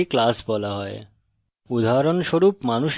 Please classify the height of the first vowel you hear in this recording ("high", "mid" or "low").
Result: high